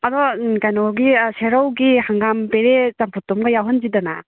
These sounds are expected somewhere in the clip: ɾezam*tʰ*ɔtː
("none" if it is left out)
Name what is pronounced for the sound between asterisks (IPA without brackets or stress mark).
pʰ